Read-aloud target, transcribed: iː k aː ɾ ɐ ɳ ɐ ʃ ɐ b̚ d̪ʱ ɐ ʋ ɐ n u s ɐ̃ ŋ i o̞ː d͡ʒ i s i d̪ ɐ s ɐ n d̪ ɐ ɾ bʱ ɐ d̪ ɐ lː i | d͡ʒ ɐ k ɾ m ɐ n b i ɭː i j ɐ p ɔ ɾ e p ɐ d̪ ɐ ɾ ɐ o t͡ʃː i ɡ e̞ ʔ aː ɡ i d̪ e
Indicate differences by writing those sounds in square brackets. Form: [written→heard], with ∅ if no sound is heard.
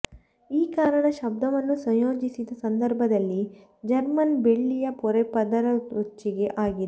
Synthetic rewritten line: iː k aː ɾ ɐ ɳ ɐ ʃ ɐ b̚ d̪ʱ ɐ ʋ ɐ [n→nː] u s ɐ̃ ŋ [i→j] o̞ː d͡ʒ i s i d̪ ɐ s ɐ n d̪ ɐ ɾ bʱ ɐ d̪ ɐ lː i | d͡ʒ ɐ [k→∅] ɾ m ɐ n b [i→e] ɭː i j ɐ p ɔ ɾ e p ɐ d̪ ɐ ɾ ɐ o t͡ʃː i ɡ e̞ ʔ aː ɡ i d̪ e